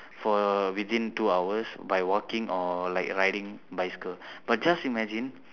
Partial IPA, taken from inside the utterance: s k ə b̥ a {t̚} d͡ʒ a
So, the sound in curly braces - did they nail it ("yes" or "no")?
yes